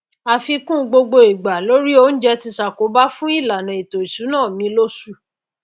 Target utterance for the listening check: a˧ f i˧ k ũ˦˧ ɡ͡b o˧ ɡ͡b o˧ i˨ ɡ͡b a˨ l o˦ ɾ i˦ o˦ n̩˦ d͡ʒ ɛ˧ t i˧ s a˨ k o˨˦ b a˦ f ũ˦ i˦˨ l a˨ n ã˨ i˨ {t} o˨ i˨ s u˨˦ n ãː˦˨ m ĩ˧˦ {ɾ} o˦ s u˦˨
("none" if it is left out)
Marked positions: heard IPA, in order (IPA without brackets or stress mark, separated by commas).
t, l